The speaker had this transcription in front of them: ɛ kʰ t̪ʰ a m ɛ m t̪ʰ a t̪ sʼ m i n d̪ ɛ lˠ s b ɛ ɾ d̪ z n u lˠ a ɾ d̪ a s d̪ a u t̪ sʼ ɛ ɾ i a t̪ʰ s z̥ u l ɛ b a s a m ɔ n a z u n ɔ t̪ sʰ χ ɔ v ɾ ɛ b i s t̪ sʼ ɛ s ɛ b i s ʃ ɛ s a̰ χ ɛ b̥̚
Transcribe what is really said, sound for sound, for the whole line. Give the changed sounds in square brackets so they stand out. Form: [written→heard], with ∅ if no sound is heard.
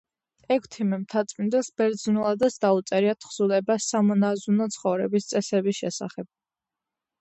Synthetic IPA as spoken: ɛ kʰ t̪ʰ [a→i] m ɛ m t̪ʰ a t̪ sʼ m i n d̪ ɛ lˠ s b ɛ ɾ d̪ z n u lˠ a [ɾ→∅] d̪ a s d̪ a u t̪ sʼ ɛ ɾ i a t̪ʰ [s→χ] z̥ u l ɛ b a s a m ɔ n a z u n ɔ t̪ sʰ χ ɔ v ɾ ɛ b i s t̪ sʼ ɛ s ɛ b i s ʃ ɛ s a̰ χ ɛ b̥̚